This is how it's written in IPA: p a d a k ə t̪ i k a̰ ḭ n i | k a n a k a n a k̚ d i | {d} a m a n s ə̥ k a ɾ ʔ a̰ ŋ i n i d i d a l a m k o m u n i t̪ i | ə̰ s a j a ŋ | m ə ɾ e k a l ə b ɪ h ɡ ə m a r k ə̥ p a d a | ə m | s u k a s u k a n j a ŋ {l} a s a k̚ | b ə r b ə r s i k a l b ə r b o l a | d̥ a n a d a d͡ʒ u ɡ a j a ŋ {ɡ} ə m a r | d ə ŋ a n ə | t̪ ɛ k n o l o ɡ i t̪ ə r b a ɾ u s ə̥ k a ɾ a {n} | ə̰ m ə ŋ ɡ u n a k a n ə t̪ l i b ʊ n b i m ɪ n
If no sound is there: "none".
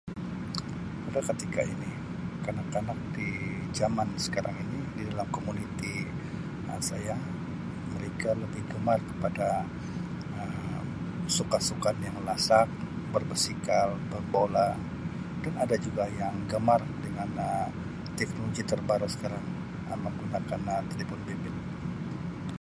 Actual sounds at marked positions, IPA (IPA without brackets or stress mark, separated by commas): d͡ʒ, l, ɡ, ŋ